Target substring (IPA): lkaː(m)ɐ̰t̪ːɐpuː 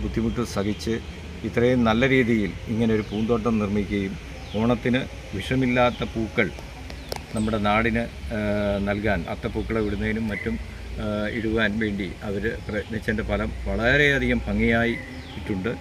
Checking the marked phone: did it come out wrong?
yes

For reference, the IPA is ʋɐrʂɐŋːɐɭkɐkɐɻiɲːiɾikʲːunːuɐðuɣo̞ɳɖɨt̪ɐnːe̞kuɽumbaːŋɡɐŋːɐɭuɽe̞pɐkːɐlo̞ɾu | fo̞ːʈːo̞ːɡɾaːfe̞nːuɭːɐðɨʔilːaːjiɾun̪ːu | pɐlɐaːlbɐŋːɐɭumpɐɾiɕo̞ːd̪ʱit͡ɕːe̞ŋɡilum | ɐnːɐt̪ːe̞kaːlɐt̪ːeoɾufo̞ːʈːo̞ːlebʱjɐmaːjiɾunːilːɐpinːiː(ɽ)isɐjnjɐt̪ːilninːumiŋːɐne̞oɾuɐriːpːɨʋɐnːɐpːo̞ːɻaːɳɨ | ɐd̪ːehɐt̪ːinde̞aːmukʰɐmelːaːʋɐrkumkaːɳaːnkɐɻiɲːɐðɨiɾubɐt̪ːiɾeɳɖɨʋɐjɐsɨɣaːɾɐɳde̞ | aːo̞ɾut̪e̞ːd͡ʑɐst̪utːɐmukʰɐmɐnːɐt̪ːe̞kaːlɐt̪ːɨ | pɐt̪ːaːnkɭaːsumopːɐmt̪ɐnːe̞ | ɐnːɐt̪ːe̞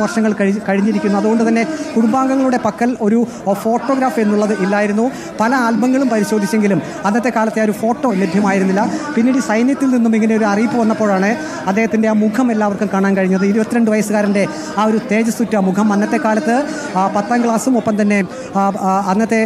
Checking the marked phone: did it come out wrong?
no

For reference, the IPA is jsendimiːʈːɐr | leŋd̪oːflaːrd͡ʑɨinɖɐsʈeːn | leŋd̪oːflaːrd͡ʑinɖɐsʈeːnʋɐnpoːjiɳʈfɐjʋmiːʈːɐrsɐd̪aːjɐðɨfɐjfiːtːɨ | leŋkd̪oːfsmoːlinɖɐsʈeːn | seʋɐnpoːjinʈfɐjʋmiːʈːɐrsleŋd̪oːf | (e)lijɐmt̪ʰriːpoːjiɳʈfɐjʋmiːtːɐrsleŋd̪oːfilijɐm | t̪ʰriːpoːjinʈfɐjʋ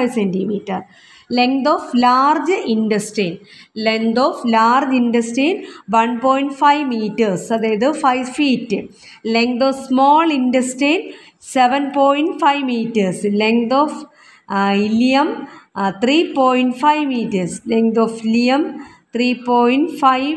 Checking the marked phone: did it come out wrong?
yes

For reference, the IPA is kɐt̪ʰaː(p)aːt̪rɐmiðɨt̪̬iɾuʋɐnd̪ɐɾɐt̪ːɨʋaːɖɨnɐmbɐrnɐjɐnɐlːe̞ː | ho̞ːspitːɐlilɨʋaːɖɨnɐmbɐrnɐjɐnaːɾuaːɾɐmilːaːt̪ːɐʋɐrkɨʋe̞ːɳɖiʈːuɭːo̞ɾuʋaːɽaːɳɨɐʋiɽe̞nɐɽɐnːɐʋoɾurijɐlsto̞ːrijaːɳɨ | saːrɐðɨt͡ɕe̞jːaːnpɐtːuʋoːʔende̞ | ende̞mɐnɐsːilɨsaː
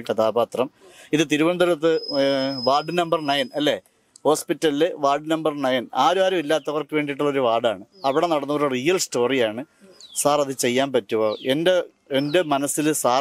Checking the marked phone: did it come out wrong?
yes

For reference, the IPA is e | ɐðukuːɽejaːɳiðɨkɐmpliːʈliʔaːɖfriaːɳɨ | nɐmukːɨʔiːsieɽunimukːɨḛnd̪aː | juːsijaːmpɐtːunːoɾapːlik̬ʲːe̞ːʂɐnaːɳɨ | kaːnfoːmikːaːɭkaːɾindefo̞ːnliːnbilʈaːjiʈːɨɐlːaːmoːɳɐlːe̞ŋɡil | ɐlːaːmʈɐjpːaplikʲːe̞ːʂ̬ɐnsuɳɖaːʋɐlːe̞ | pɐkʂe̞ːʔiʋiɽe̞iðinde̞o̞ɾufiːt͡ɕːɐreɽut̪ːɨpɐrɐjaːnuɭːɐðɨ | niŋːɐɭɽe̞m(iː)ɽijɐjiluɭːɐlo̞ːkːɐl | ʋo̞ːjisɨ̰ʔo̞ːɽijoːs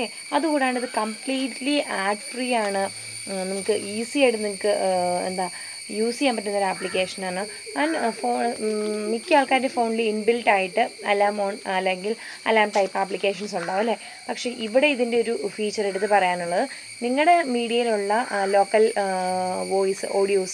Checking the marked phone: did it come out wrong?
no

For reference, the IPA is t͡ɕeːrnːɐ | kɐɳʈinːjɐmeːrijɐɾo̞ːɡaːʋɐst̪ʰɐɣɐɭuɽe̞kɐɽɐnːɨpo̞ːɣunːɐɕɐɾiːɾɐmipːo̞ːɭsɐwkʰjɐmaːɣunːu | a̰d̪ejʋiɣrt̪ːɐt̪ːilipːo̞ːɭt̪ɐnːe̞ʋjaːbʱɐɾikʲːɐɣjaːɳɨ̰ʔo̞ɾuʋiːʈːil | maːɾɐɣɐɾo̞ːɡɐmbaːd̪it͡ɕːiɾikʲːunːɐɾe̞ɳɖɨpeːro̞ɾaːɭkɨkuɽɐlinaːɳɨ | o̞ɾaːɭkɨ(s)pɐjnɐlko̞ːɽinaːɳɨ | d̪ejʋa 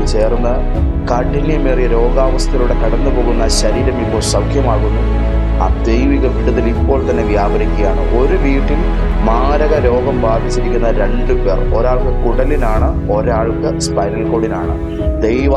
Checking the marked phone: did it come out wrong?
no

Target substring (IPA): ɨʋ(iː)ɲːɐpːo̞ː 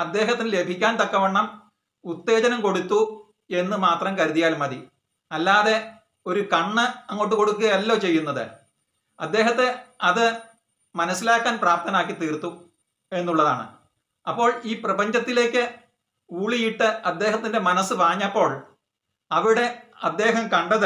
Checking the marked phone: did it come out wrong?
yes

